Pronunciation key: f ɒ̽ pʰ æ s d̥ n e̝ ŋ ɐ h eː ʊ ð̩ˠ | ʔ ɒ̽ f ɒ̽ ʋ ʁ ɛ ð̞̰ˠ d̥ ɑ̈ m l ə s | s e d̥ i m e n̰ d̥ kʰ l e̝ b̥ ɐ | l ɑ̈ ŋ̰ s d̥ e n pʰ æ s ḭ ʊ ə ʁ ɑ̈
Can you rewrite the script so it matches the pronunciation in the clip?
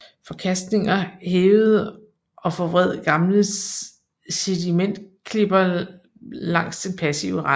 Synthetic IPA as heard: f ɒ̽ kʰ æ s d̥ n e̝ ŋ ɐ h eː ʊ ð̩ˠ | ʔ ɒ̽ f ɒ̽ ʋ ʁ ɛ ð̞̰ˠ ɡ̥ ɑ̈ m l ə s | s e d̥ i m e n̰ d̥ kʰ l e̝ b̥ ɐ | l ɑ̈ ŋ̰ s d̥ e n pʰ æ s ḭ ʊ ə ʁ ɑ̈